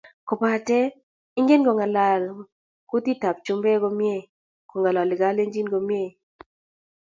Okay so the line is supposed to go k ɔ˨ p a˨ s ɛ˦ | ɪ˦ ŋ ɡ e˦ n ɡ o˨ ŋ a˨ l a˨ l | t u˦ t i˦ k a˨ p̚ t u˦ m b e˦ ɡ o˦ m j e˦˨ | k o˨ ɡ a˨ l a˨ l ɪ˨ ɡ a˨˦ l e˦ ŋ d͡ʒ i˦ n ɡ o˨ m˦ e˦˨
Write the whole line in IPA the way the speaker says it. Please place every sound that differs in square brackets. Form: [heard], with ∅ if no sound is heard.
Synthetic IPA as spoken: k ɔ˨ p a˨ [t] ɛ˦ | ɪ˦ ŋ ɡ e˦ n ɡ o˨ ŋ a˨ l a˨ l | [k] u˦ t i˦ [t] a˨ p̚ [t͡ʃ] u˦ m b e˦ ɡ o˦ m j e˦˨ | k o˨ [ŋ] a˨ l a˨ l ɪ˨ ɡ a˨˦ l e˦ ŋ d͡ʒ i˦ n ɡ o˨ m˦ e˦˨